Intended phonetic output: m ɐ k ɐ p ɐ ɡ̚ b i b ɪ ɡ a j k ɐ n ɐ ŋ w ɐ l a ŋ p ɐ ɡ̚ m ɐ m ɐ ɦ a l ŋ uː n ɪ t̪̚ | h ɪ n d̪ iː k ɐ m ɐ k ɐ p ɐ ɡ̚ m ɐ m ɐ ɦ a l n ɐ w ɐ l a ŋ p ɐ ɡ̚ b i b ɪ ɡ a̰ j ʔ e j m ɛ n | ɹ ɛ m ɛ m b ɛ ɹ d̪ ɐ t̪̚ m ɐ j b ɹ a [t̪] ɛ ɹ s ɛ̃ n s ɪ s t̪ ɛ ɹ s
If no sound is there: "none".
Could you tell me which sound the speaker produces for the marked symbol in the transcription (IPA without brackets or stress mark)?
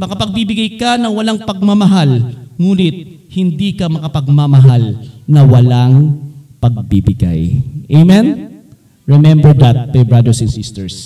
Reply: d̪